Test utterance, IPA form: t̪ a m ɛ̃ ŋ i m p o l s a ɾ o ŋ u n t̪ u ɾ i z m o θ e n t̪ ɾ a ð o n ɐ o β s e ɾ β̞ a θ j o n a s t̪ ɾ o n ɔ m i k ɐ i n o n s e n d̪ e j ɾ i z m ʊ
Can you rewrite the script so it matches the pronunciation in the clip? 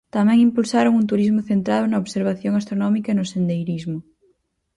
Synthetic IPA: t̪ a m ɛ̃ ŋ i m p u l s a ɾ o ŋ u n t̪ u ɾ i z m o θ e n t̪ ɾ a ð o n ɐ o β s e ɾ β̞ a θ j o ŋ a s t̪ ɾ o n ɔ m i k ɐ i n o s e n d̪ e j ɾ i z m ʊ